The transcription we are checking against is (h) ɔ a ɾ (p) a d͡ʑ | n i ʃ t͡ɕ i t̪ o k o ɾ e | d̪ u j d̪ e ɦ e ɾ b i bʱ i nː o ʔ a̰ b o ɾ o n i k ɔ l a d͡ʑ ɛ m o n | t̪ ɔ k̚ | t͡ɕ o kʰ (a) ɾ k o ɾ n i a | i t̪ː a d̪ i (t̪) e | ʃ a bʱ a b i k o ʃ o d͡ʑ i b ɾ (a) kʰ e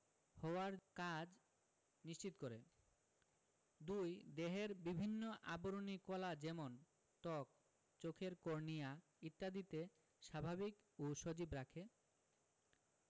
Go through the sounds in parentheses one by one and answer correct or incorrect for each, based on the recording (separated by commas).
correct, incorrect, incorrect, correct, correct